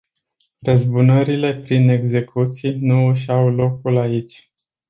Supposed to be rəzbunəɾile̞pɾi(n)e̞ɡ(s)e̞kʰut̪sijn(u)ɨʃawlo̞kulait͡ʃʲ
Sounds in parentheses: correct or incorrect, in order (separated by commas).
correct, incorrect, correct